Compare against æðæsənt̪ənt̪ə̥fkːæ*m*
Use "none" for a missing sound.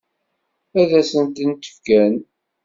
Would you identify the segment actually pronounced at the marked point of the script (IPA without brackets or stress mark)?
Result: n